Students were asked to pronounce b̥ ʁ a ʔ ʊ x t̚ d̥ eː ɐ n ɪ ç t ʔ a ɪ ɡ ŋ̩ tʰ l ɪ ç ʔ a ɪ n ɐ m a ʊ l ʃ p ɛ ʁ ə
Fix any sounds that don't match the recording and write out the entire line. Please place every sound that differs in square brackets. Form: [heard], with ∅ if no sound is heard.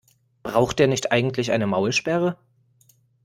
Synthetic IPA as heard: b̥ ʁ a [∅] ʊ x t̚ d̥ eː ɐ n ɪ ç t ʔ a ɪ ɡ ŋ̩ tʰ l ɪ ç ʔ a ɪ n [ə] m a ʊ l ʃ p ɛ ʁ ə